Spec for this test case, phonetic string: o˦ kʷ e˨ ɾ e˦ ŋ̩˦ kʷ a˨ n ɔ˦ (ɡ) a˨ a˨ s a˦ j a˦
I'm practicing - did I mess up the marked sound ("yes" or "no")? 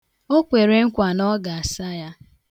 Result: no